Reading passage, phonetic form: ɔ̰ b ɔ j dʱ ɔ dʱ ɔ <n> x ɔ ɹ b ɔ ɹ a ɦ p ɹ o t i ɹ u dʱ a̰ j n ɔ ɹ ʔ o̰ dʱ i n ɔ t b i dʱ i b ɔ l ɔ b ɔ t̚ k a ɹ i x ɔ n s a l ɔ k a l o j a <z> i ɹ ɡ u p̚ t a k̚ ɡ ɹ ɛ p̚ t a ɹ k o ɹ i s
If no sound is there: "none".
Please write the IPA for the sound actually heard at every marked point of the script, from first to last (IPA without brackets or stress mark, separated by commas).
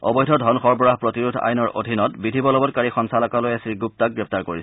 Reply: n, s